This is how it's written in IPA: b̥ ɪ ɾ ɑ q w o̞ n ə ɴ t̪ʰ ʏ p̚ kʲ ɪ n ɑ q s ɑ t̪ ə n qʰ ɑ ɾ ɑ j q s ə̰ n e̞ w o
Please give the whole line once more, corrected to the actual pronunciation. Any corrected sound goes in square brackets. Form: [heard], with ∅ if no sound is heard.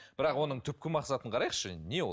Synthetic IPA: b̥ ɪ ɾ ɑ q w o̞ n ə ɴ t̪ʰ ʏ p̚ kʲ ɪ [m] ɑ q s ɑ t̪ ə [ɴ] qʰ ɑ ɾ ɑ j q [ʃ] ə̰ n e̞ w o